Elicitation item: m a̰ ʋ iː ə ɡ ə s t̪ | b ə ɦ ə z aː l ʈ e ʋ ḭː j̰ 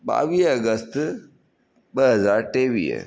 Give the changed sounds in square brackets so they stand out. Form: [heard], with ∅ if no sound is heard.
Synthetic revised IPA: [b] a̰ ʋ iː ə ɡ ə s t̪ | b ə ɦ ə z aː [ɾ] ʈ e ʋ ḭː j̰